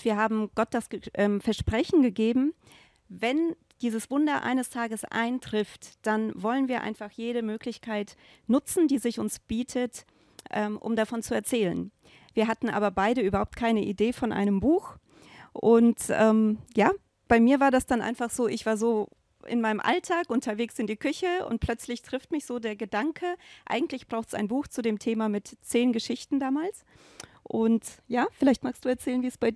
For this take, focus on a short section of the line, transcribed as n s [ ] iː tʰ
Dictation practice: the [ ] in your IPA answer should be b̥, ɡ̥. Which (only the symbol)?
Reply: b̥